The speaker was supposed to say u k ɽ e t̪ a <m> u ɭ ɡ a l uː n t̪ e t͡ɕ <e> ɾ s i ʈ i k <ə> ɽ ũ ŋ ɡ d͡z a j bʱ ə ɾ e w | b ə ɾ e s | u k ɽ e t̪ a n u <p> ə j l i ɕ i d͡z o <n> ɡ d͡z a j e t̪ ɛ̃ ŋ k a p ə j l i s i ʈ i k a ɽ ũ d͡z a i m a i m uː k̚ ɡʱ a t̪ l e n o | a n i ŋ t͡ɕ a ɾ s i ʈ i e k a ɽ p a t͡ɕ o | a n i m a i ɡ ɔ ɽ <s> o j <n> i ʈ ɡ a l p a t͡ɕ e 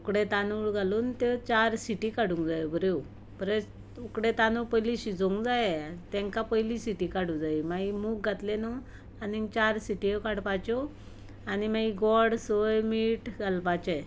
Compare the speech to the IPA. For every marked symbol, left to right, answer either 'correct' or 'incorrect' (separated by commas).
incorrect, incorrect, incorrect, correct, incorrect, correct, incorrect